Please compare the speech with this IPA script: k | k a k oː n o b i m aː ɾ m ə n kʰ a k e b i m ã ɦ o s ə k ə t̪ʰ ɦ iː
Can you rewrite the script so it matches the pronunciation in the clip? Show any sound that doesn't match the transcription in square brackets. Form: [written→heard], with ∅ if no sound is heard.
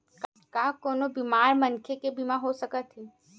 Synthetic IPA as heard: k | k a k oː n o b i m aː ɾ m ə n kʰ [a→e] k e b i m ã ɦ o s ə k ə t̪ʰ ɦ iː